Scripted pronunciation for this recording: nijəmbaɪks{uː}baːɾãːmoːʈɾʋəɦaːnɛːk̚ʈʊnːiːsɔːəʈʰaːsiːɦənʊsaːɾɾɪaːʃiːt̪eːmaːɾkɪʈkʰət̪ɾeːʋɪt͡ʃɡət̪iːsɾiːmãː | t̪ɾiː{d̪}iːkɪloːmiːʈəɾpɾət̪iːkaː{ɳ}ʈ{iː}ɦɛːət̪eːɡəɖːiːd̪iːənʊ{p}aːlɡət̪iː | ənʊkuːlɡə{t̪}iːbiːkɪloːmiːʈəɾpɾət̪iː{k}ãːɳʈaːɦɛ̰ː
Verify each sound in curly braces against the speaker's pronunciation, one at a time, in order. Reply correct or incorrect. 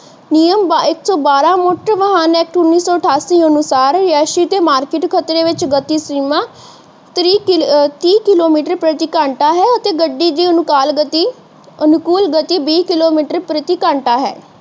incorrect, incorrect, correct, incorrect, incorrect, correct, correct

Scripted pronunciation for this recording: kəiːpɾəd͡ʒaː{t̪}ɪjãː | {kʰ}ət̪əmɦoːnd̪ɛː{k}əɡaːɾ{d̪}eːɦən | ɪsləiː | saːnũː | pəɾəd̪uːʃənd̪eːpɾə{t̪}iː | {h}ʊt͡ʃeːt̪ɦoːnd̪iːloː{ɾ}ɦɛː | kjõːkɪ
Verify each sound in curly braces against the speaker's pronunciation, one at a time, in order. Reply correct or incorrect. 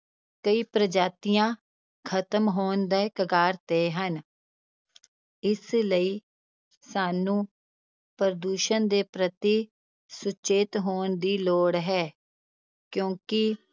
correct, correct, correct, incorrect, correct, incorrect, incorrect

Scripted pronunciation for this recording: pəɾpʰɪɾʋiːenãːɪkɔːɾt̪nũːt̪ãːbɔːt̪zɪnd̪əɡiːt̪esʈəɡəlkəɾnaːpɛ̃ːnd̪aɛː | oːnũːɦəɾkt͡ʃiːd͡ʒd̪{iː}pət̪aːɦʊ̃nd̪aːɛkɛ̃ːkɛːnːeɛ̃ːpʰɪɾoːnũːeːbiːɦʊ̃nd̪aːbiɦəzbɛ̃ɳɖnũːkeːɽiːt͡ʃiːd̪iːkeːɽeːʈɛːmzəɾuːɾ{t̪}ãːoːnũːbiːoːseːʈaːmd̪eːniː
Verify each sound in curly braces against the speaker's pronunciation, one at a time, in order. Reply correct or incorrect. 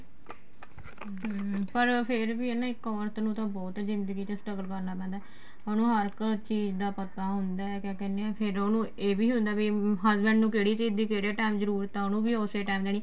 incorrect, correct

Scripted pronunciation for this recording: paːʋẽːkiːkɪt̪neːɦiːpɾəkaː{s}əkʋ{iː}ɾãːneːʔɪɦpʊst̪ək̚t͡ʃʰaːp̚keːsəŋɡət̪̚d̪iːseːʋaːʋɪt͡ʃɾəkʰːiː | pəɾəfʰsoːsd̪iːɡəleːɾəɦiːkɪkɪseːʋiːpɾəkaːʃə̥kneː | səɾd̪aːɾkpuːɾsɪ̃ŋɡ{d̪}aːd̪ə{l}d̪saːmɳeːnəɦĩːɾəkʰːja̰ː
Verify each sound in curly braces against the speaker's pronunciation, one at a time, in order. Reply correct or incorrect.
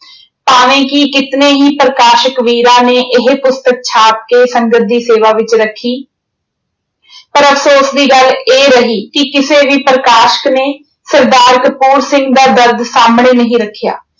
incorrect, correct, correct, incorrect

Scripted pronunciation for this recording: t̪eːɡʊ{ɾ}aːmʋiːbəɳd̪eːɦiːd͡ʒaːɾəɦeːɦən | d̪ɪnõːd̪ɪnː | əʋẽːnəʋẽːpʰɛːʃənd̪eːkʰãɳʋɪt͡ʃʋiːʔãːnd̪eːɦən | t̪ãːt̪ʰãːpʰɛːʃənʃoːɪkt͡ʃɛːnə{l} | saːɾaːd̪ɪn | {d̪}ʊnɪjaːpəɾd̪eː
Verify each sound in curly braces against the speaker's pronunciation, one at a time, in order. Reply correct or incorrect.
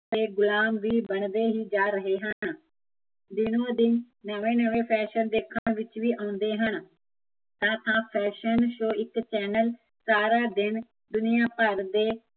incorrect, correct, correct

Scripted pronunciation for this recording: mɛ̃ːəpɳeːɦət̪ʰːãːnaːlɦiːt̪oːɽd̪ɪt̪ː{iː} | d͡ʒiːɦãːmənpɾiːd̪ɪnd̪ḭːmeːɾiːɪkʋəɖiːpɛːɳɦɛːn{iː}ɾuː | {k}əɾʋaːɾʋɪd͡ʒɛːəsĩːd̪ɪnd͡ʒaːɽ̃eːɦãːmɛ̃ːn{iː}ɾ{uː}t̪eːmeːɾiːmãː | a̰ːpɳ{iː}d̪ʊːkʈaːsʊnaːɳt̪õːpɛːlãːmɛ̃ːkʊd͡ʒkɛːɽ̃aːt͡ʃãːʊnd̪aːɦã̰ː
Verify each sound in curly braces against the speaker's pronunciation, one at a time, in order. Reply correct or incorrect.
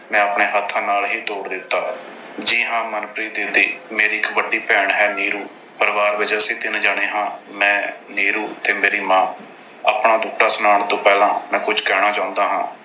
incorrect, correct, incorrect, correct, correct, incorrect

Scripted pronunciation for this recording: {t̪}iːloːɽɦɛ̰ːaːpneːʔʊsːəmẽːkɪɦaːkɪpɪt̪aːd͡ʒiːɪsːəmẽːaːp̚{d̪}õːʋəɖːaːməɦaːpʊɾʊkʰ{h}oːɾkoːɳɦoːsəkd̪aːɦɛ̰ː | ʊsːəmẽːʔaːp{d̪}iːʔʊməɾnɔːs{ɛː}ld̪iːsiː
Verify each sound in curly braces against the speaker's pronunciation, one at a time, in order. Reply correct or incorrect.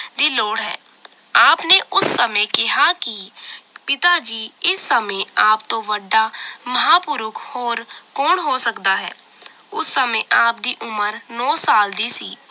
incorrect, incorrect, correct, correct, incorrect

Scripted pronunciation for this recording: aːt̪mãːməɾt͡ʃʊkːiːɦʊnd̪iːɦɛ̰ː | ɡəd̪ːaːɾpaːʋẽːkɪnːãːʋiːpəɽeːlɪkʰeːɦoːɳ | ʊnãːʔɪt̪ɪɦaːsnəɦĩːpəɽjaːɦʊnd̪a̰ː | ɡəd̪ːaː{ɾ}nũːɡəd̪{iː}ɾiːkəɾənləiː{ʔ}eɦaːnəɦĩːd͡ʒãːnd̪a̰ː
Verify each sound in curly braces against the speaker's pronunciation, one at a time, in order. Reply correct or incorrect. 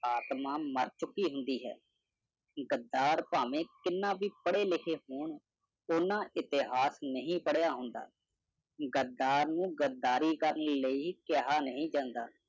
correct, incorrect, incorrect

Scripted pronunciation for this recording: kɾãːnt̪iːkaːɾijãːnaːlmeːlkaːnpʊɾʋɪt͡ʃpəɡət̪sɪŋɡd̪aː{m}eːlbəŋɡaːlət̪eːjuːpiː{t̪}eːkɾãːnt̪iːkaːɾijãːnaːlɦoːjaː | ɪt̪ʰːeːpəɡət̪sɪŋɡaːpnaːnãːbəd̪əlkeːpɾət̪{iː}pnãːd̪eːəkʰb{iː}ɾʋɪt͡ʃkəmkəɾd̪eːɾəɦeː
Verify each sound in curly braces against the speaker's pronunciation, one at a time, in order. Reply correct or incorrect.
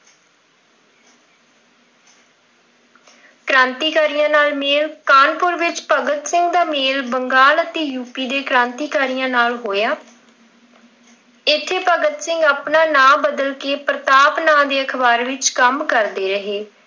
correct, incorrect, incorrect, incorrect

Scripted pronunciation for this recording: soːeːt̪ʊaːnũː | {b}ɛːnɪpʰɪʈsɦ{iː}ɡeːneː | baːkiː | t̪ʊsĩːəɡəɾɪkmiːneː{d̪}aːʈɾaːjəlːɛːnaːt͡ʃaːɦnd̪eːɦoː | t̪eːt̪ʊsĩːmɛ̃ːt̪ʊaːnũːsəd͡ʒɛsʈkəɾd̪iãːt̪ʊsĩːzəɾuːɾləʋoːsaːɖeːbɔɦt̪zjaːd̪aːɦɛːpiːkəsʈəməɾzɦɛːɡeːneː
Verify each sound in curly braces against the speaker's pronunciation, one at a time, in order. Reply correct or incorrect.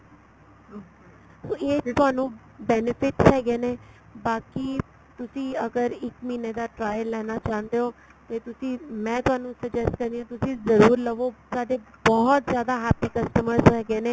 correct, incorrect, correct

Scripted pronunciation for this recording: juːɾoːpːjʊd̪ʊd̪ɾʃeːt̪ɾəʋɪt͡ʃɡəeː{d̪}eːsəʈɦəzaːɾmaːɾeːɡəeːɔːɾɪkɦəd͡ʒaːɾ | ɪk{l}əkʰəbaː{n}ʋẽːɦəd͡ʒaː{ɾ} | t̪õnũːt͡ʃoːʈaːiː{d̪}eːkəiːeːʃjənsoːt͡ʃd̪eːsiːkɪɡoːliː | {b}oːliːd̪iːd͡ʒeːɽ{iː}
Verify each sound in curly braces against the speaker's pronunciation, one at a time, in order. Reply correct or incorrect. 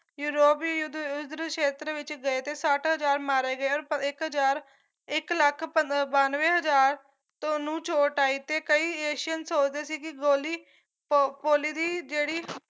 incorrect, correct, correct, correct, incorrect, incorrect, correct

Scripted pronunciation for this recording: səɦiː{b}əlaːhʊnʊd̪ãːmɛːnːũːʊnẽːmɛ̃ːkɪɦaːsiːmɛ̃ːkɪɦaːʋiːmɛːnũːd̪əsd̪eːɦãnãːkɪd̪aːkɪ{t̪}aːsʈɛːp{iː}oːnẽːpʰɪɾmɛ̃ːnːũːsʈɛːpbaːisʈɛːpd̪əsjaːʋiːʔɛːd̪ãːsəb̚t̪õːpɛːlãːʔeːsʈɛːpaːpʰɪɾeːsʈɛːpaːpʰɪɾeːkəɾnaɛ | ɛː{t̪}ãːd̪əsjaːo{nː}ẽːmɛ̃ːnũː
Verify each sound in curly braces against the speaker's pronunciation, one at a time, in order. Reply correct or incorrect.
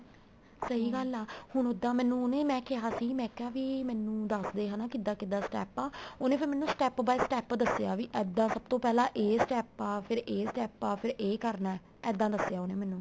incorrect, incorrect, incorrect, incorrect, incorrect

